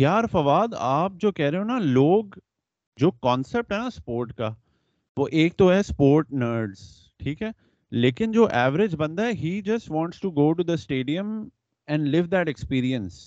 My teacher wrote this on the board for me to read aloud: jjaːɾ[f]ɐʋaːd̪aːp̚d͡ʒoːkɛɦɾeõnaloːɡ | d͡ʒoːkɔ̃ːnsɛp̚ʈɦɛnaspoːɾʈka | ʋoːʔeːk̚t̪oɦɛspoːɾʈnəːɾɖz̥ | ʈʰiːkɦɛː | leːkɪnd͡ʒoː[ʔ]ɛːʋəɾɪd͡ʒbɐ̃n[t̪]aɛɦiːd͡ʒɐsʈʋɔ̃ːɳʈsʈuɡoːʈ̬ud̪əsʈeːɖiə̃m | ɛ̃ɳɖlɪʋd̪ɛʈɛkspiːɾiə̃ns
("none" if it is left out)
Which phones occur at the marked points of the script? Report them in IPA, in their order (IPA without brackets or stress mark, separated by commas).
f, ʔ, d̪